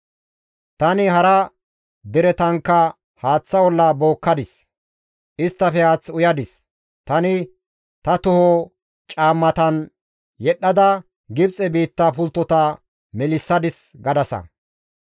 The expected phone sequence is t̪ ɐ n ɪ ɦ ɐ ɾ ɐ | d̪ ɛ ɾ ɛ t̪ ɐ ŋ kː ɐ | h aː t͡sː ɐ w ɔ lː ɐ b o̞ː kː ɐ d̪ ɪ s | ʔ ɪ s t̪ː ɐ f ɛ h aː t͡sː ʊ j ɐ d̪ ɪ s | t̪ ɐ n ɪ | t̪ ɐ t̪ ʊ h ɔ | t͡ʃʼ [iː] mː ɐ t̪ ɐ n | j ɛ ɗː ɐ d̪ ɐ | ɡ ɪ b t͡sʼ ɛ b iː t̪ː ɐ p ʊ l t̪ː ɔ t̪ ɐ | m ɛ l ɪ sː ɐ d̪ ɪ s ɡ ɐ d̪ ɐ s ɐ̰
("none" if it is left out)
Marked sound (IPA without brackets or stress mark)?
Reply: aː